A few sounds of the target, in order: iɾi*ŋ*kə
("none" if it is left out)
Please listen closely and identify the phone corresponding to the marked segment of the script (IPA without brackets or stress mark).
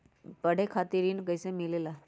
n